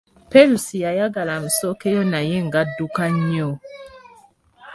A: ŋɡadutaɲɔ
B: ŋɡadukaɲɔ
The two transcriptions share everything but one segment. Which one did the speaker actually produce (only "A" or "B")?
B